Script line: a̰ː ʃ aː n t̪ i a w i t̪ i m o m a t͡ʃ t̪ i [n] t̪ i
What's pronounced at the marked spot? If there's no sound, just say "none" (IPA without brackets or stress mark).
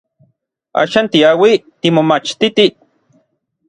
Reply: none